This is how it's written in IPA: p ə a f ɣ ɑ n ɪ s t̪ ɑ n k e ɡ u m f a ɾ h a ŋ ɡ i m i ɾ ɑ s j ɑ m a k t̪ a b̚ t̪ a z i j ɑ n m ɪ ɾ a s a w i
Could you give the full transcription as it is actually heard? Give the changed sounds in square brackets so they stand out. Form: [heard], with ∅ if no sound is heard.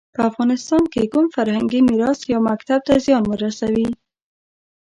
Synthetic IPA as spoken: p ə a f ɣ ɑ n ɪ s t̪ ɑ n k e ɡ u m f a ɾ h a ŋ ɡ i m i ɾ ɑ s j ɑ m a k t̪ a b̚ t̪ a z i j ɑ n m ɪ ɾ a s a w i